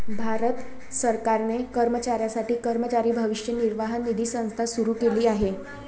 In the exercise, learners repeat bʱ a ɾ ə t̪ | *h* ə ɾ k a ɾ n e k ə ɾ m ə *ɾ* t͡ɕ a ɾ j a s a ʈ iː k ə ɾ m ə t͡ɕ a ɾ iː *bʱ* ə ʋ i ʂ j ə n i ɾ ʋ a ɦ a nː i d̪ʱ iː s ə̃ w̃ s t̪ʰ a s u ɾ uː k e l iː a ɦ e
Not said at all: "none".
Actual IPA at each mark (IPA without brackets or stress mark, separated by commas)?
s, none, bʱ